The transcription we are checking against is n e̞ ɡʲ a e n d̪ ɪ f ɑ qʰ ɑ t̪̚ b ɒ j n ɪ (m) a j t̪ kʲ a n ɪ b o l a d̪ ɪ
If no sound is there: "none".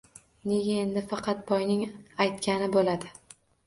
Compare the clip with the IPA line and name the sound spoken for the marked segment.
ŋ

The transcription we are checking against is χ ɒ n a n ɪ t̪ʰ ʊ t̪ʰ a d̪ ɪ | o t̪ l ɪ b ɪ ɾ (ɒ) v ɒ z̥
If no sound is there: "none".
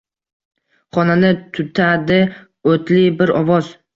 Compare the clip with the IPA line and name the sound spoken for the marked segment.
ɒ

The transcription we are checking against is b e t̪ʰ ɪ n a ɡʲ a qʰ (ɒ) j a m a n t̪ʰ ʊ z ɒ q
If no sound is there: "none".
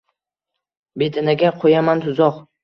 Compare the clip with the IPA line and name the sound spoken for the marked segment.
o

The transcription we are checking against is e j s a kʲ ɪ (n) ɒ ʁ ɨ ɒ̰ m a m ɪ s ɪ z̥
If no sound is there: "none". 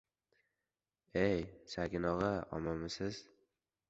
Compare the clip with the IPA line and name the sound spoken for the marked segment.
n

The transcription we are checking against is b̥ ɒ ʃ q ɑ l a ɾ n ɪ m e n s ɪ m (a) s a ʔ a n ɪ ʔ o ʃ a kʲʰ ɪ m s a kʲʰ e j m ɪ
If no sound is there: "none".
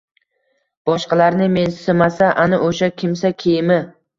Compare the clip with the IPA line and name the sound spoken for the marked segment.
a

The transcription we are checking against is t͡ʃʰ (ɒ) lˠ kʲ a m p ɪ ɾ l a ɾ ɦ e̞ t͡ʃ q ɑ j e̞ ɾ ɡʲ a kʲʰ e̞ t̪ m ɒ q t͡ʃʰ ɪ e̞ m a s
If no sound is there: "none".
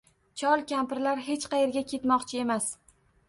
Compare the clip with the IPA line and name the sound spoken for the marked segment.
ɒ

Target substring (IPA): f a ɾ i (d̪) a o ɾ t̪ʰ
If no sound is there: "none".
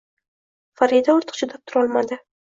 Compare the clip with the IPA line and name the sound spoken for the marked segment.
d̪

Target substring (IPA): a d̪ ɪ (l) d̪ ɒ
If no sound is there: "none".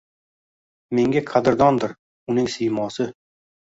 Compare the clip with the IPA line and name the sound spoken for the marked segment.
ɾ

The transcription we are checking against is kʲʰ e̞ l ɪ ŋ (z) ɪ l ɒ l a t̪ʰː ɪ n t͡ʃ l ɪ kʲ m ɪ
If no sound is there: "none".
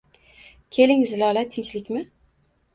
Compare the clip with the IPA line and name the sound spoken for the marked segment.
z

